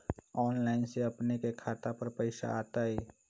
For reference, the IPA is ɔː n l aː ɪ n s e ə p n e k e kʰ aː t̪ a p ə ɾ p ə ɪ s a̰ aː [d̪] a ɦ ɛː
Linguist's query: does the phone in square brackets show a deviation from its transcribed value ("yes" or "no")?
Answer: yes